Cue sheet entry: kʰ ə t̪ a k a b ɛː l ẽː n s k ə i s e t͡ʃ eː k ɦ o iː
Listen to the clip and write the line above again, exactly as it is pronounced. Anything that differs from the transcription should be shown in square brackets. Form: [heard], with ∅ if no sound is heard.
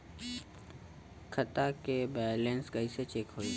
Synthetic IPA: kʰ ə t̪ a k [e] b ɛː l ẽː n s k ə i s e t͡ʃ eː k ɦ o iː